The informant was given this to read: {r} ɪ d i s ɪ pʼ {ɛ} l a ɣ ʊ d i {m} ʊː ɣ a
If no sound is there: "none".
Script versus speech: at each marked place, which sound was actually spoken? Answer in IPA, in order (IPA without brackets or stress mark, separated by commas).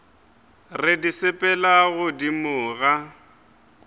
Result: r, ɛ, m